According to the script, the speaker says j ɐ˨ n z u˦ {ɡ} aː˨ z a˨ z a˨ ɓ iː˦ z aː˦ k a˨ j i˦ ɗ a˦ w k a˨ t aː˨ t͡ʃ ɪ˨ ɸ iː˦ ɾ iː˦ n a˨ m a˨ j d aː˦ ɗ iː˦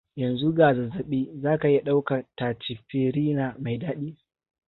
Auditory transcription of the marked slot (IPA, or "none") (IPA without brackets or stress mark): ɡ